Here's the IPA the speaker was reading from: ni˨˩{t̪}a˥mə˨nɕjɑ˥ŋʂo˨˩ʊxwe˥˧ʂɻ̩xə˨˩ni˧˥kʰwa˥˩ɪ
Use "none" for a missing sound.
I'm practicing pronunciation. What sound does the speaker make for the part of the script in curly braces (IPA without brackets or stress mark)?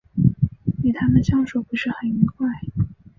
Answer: t̪ʰ